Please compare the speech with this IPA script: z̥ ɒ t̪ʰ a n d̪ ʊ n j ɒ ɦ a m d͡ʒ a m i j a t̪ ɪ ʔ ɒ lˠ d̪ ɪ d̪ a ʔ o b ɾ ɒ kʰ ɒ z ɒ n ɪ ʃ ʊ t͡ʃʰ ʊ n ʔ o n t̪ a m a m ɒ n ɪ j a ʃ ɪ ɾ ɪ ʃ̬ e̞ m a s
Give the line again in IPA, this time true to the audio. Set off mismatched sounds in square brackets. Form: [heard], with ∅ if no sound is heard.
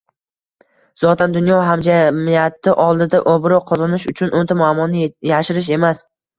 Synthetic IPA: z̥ ɒ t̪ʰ a n d̪ ʊ n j ɒ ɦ a m d͡ʒ a m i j a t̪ ɪ ʔ ɒ lˠ d̪ ɪ d̪ a ʔ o b ɾ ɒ [qʰ] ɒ z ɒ n ɪ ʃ ʊ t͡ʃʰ ʊ n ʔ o n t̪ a m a m ɒ n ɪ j a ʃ ɪ ɾ ɪ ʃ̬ e̞ m a s